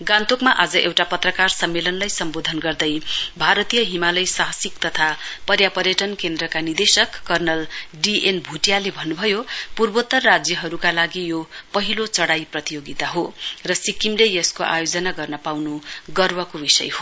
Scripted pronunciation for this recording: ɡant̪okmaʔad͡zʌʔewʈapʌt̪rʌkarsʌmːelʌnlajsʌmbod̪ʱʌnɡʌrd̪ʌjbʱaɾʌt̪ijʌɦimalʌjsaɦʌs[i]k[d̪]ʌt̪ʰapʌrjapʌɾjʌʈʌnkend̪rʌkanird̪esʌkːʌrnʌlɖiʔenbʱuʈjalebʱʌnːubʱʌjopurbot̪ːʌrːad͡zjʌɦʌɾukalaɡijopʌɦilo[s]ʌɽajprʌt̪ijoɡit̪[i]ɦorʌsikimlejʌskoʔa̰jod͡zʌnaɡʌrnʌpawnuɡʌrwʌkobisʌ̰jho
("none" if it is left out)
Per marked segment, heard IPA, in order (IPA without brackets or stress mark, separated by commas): i, t̪, t͡s, a